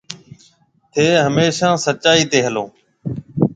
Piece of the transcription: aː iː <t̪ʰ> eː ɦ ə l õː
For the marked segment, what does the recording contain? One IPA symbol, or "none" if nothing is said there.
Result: t̪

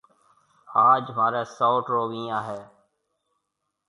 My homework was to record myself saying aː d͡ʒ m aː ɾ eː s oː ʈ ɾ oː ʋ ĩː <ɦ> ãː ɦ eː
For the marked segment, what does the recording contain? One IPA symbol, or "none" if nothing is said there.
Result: none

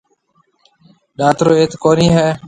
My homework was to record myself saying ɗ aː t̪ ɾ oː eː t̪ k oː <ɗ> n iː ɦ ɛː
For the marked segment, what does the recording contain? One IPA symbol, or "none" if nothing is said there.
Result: none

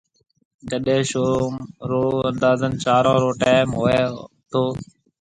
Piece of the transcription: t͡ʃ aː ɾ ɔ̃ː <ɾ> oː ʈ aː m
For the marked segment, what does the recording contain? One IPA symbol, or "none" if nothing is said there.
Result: ɾ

